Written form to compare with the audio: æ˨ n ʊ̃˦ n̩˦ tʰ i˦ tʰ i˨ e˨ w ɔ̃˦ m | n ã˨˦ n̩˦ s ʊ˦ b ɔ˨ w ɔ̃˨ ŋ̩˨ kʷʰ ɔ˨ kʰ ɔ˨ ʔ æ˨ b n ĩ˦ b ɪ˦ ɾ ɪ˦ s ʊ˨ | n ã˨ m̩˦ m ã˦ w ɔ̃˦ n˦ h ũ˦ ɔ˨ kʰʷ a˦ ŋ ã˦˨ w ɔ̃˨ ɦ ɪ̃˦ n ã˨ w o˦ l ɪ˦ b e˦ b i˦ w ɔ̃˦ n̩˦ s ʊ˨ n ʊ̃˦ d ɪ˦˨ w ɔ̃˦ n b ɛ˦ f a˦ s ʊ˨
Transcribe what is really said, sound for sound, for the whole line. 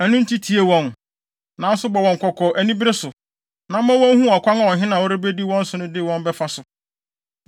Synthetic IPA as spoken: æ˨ n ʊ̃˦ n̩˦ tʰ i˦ tʰ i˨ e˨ w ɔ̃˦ n | n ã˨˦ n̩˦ s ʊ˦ b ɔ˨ w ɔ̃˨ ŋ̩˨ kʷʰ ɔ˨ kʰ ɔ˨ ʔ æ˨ n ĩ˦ b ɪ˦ ɾ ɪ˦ s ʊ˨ | n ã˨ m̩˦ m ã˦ w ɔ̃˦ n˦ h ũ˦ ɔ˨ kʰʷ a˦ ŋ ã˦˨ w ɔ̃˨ ɦ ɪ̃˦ n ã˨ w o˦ ɾ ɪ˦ b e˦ d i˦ w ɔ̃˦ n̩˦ s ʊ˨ n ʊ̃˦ d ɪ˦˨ w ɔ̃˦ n b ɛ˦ f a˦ s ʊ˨